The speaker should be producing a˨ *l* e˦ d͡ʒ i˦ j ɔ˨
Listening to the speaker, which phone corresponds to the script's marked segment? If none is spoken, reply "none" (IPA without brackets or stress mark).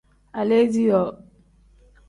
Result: l